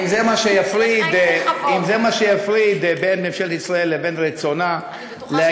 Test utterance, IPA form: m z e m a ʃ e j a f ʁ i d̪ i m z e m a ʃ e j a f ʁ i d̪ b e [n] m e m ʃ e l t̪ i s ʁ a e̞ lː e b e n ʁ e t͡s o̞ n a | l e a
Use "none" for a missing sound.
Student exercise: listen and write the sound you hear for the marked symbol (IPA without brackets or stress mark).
n